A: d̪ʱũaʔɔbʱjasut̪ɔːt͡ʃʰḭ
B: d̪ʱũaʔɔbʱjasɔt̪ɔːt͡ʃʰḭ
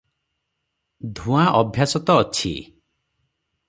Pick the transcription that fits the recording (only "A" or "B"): B